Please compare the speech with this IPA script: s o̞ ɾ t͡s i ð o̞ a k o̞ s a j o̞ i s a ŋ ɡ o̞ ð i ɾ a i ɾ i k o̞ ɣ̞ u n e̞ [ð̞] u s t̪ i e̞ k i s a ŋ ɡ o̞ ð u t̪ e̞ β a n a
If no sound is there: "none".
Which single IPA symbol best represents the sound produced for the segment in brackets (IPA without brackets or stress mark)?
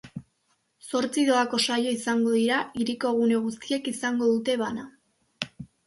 ɣ̞